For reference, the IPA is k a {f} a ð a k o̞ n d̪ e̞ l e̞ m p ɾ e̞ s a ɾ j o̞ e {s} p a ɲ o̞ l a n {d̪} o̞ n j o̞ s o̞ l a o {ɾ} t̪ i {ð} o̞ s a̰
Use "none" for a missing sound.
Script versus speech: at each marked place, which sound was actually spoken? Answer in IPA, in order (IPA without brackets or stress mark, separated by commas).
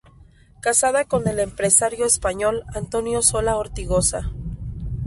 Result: s, s, t̪, ɾ, ɣ